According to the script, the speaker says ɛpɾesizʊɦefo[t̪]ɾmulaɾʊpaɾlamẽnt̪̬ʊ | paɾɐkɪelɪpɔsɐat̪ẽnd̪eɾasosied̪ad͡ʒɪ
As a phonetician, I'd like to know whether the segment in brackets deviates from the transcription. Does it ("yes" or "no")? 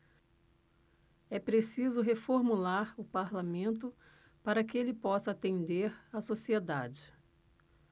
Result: yes